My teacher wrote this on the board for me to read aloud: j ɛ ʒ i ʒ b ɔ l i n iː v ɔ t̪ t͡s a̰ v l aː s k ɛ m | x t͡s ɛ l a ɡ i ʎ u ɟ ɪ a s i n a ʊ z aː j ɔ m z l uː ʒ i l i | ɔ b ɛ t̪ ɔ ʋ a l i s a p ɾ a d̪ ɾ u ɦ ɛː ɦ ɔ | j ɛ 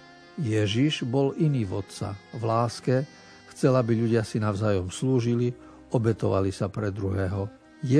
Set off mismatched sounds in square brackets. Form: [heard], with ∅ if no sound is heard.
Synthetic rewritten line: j ɛ ʒ i ʒ b ɔ l i n iː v ɔ t̪ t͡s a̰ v l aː s k ɛ [∅] | x t͡s ɛ l a [b] i ʎ u ɟ ɪ a s i n a ʊ z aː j ɔ m [s] l uː ʒ i l i | ɔ b ɛ t̪ ɔ ʋ a l i s a p ɾ [ɛ] d̪ ɾ u ɦ ɛː ɦ ɔ | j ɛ